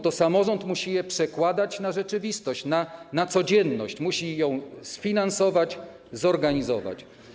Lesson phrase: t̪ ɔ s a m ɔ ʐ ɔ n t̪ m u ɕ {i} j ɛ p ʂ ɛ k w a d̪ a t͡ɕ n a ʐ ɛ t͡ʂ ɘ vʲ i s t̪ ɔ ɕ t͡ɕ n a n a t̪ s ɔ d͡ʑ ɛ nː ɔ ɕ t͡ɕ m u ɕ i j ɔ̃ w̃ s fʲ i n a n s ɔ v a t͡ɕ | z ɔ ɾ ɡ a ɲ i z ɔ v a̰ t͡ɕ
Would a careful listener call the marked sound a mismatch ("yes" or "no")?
no